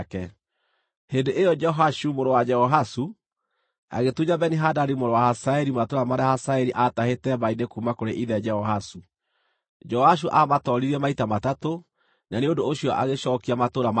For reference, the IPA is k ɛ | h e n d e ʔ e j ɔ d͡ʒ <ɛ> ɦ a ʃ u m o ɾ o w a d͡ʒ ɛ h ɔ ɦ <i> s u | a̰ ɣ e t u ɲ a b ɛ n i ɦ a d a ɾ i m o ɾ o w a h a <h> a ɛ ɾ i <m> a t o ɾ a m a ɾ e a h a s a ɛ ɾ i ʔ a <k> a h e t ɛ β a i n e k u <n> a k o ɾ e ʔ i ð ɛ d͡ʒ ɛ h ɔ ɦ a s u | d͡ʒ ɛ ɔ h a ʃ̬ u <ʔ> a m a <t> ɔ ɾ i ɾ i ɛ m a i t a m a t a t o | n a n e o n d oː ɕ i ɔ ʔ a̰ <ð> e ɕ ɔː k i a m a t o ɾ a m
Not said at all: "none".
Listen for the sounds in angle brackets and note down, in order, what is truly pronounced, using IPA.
ɛ, a, s, m, t, m, ʔ, t, ɣ

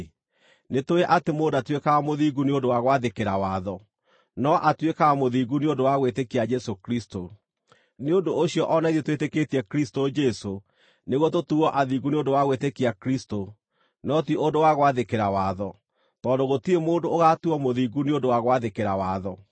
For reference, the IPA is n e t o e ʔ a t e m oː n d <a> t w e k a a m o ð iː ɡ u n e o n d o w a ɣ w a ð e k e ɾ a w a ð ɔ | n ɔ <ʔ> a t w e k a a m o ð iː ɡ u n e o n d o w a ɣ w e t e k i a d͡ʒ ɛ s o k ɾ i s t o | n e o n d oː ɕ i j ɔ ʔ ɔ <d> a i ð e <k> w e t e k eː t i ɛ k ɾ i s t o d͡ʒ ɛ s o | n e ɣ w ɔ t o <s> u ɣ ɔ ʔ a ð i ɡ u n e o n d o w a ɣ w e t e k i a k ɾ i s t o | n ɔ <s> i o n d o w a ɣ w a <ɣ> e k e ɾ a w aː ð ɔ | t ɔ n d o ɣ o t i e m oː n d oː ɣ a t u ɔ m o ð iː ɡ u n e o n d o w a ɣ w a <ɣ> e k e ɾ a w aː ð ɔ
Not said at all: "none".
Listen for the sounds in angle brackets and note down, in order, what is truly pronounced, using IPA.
a, ʔ, n, t, t, t, ð, ð

